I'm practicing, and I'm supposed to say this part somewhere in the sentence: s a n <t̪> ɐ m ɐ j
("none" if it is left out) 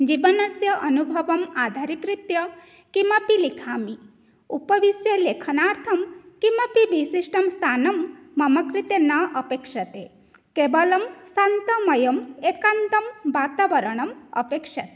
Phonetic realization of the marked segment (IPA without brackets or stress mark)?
t̪